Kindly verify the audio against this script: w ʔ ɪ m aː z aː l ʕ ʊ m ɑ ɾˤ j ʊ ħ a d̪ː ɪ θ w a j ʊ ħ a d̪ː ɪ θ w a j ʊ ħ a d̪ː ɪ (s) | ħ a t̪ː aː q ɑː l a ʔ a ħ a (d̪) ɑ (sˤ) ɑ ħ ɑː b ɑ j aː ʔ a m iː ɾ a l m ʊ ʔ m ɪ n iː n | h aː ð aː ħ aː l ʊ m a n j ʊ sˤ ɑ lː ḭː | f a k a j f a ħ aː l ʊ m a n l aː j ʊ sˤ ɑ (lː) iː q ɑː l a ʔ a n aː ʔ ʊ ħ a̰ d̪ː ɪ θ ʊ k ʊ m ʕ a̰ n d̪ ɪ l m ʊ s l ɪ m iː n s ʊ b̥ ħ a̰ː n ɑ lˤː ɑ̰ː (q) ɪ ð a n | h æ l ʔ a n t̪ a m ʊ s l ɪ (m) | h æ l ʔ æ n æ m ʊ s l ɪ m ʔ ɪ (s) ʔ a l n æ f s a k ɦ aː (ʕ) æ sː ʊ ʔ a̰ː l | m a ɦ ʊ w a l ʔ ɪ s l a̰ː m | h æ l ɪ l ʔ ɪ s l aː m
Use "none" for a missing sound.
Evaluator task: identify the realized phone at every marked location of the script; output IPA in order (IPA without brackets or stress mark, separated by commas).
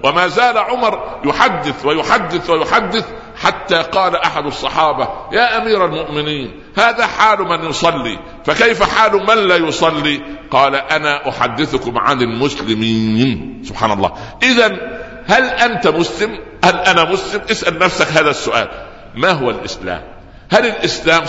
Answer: θ, d̪, sˤː, lː, ʔ, m, s, ð